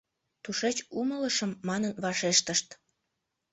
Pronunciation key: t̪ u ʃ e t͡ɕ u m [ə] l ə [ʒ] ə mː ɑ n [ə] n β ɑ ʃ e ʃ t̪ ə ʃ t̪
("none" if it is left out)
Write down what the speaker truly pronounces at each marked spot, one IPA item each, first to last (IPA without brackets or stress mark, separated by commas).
ə, ʃ, ə